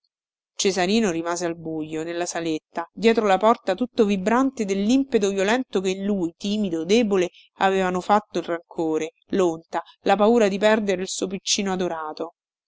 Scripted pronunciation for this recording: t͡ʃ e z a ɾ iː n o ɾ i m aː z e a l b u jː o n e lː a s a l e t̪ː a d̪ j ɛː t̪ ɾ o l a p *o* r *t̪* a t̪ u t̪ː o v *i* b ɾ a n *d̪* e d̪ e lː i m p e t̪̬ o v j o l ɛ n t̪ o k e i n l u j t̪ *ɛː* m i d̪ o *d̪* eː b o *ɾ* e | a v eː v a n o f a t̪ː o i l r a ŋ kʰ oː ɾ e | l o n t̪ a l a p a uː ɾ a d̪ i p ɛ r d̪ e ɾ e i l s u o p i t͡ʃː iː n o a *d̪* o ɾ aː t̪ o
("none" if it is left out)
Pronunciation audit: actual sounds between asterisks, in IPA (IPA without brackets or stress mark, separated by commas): ɔ, t̪, i, t̪, iː, d̪, l, d̪